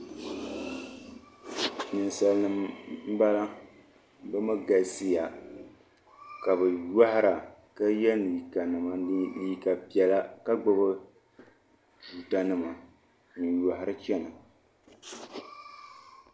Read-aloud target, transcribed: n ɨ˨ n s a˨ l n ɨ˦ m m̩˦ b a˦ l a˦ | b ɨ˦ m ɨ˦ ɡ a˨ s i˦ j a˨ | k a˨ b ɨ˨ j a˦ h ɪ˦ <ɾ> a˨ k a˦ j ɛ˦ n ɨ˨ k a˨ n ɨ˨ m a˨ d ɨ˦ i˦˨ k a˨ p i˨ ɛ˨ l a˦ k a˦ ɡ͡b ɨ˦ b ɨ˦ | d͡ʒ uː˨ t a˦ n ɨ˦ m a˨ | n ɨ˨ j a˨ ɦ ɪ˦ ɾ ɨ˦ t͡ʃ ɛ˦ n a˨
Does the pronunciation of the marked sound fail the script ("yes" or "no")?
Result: no